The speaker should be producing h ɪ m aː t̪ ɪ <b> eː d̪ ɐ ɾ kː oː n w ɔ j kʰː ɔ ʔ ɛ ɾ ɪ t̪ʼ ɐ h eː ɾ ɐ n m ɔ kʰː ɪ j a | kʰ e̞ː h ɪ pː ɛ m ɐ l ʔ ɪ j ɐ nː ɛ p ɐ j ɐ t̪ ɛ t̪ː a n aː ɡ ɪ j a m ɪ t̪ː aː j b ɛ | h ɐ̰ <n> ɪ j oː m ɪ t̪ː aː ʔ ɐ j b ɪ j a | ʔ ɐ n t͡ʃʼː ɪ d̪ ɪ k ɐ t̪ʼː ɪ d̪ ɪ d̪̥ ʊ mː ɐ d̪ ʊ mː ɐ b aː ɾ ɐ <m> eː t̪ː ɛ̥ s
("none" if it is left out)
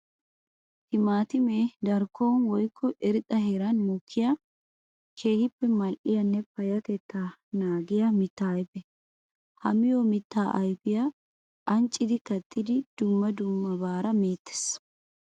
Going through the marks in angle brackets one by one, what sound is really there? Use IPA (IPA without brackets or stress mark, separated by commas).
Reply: m, m, m